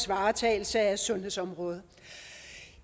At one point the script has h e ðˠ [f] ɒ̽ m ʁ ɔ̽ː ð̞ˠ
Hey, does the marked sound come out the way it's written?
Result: no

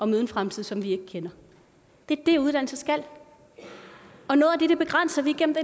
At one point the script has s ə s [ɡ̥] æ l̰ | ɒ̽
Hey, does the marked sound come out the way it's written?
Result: yes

